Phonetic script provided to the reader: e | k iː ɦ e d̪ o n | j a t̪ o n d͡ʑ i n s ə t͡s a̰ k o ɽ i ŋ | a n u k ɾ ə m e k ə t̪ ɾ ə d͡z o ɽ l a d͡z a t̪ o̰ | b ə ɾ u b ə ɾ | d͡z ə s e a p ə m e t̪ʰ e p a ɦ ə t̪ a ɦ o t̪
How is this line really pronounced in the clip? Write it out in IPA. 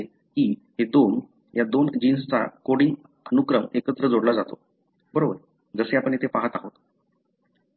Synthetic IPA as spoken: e | k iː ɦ e d̪ o n | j a d̪ o n d͡ʑ i n s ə t͡s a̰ k o ɽ i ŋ | ə n u k ɾ ə m e k ə t̪ ɾ ə d͡z o ɽ l a d͡z a t̪ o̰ | b ə ɾ o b ə ɾ | d͡z ə s e a p ə ɳ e t̪ʰ e p a ɦ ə t̪ a ɦ o t̪